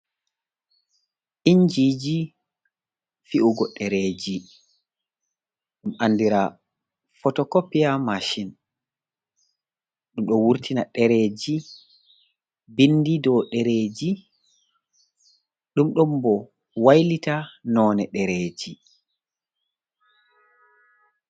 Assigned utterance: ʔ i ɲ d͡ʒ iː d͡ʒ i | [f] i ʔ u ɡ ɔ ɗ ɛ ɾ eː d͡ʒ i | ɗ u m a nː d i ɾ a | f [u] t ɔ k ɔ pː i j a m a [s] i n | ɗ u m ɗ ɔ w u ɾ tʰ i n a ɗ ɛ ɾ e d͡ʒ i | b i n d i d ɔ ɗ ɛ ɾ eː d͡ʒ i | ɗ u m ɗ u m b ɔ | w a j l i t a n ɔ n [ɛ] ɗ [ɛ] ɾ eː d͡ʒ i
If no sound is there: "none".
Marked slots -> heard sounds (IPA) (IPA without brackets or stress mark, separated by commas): f, ɔ, ʃ, ɛ, ɛ